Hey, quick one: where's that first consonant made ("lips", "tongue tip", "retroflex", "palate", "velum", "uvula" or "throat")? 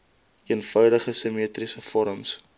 tongue tip